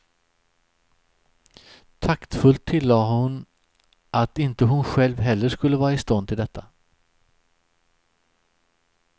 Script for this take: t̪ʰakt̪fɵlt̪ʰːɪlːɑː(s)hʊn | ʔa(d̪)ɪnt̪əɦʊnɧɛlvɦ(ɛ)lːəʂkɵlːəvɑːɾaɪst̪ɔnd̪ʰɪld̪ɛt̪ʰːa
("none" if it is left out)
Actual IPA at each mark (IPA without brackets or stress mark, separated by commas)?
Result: none, t̪, ɛ